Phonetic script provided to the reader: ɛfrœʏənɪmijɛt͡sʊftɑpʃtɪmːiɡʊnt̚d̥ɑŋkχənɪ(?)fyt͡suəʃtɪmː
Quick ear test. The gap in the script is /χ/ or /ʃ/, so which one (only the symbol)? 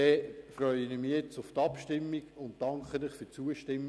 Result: χ